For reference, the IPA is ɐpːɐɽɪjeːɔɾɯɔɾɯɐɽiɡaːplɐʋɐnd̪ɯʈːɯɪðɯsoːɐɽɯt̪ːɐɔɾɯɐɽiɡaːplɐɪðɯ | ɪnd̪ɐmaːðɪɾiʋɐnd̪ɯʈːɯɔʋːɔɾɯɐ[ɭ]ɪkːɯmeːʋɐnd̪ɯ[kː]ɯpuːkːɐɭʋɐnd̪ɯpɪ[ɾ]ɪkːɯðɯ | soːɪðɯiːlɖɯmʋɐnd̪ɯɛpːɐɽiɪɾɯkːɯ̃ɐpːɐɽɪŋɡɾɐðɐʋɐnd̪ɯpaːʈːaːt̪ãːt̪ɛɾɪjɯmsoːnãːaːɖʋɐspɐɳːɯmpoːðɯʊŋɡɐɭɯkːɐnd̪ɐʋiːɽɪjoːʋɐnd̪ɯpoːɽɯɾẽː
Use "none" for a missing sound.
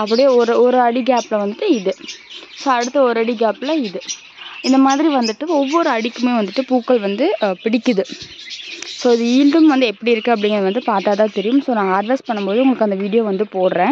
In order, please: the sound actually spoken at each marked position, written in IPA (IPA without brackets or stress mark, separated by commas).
ɽ, ʈː, ɽ